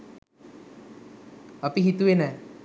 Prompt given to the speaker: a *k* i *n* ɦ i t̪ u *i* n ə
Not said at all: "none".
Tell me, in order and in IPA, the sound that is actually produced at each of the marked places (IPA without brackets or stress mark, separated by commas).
p, none, e